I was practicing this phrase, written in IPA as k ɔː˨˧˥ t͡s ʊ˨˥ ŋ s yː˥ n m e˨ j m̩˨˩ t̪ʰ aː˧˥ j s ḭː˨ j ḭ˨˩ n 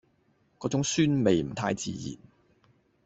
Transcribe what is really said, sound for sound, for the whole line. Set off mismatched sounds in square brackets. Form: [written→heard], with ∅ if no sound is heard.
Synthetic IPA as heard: k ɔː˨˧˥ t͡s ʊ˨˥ ŋ s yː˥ n m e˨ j m̩˨˩ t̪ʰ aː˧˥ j [s→t͡s] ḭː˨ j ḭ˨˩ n